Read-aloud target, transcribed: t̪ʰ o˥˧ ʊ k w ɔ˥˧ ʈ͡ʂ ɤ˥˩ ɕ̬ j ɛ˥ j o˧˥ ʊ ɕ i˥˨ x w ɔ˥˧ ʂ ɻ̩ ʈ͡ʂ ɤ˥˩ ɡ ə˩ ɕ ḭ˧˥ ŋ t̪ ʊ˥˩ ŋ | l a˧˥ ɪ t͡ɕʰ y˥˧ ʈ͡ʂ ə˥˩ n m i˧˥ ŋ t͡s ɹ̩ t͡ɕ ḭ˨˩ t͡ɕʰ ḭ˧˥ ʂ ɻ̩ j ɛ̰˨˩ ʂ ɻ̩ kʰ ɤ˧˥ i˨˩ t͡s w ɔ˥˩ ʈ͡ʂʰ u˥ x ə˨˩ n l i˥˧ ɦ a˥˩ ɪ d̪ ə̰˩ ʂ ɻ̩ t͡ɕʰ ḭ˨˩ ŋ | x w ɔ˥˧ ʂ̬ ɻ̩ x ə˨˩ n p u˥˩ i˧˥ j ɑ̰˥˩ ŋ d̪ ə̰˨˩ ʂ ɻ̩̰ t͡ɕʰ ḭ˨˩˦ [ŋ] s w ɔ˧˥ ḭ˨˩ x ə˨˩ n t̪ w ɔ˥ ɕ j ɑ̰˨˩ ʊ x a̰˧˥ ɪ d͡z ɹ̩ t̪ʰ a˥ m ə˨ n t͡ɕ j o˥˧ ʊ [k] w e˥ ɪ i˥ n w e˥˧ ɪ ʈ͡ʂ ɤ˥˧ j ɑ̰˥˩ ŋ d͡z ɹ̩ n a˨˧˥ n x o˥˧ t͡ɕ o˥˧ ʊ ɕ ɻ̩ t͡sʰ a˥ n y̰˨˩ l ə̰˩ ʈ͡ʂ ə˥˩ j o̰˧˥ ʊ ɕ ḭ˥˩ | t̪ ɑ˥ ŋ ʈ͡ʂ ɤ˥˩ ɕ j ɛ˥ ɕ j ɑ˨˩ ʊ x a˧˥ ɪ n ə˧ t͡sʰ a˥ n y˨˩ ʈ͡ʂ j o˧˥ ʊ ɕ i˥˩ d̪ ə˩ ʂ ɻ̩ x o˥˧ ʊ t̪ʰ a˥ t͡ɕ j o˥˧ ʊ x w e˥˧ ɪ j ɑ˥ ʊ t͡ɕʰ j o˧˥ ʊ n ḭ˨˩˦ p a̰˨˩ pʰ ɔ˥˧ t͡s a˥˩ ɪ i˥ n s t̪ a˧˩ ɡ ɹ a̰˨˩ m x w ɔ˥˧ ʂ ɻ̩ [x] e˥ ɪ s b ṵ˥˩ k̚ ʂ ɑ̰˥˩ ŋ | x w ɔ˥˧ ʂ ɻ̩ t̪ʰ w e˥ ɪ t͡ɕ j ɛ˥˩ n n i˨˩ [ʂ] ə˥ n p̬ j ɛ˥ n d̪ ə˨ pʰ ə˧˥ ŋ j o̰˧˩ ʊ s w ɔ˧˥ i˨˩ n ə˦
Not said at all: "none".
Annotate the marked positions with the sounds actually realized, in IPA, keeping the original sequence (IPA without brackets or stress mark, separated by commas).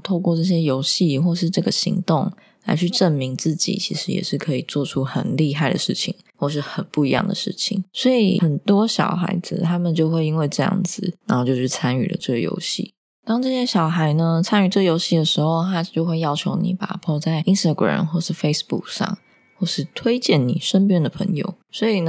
ŋ, x, f, ʂ